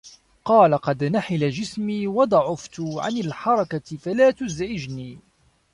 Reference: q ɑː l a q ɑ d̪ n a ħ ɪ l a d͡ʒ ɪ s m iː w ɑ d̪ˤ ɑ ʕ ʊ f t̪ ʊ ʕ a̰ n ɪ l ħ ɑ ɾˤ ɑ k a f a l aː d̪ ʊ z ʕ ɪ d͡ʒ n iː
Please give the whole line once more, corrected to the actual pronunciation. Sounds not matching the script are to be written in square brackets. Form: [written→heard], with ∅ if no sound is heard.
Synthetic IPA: q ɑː l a q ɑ d̪ n a ħ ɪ l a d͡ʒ ɪ s m iː w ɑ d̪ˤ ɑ ʕ ʊ f t̪ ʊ ʕ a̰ n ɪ l ħ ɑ ɾˤ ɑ k a f a l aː [d̪→t̪] ʊ z ʕ ɪ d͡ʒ n iː